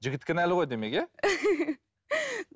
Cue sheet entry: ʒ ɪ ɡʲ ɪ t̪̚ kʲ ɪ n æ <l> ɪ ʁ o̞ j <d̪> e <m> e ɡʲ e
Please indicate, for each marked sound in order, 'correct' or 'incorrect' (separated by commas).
correct, correct, correct